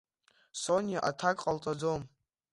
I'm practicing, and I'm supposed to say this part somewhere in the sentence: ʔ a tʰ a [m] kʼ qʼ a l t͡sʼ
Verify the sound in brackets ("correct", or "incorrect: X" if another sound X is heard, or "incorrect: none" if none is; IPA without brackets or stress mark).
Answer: incorrect: none